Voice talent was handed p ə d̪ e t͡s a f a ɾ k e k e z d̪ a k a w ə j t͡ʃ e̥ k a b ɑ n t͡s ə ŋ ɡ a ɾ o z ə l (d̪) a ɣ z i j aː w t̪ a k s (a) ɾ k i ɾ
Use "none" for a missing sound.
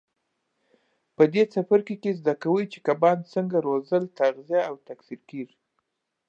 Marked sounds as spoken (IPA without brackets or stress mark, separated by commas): t̪, i